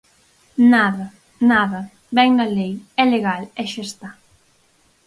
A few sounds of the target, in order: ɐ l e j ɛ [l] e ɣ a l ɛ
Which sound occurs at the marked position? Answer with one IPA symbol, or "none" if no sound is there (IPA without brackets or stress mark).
l